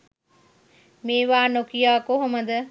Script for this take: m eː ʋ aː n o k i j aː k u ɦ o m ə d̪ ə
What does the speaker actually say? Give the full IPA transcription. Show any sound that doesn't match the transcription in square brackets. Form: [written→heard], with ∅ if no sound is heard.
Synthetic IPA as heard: m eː ʋ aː n o k i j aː k [u→o] ɦ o m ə d̪ ə